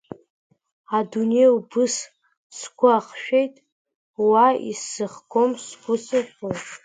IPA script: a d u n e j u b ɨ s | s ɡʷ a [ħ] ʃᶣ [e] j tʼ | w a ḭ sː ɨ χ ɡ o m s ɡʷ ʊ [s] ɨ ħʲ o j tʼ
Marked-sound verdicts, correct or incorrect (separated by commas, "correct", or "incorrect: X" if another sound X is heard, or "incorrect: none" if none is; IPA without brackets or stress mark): incorrect: χ, correct, correct